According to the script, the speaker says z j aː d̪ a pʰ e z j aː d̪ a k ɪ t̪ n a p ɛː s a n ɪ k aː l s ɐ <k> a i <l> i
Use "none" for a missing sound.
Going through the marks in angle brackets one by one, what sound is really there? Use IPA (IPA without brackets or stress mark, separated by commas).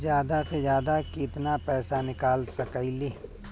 k, l